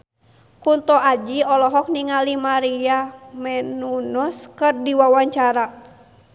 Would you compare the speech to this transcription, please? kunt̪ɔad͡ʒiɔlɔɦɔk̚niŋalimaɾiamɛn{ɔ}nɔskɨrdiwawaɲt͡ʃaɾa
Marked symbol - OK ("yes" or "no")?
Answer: no